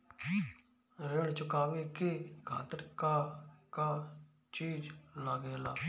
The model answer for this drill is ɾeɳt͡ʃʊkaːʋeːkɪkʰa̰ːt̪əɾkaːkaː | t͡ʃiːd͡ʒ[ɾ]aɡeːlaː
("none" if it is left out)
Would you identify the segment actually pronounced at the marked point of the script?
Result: l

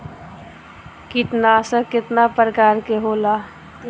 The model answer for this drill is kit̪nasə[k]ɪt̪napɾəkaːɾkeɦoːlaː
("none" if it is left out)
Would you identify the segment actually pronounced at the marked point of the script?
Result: k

